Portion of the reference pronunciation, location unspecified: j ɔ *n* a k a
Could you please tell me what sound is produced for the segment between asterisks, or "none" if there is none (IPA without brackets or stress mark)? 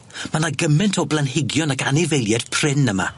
n